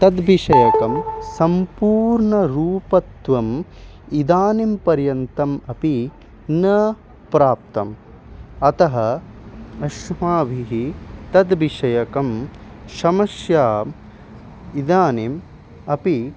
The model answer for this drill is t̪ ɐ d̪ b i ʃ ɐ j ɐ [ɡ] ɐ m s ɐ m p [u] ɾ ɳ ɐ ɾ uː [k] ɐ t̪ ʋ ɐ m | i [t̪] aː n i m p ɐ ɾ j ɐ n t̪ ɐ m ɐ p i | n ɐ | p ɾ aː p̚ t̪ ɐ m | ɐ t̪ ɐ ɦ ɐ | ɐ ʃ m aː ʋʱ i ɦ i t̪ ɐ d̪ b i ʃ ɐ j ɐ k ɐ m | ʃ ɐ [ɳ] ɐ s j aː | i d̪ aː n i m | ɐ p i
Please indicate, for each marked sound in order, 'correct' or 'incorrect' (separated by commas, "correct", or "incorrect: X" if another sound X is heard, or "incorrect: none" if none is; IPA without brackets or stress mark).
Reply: incorrect: k, incorrect: uː, incorrect: p, incorrect: d̪, incorrect: m